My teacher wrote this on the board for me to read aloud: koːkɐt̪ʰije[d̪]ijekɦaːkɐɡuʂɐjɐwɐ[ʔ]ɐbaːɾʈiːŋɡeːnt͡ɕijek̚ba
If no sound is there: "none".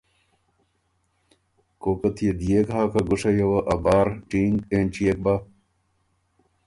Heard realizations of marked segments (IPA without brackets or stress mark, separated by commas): d̪, ʔ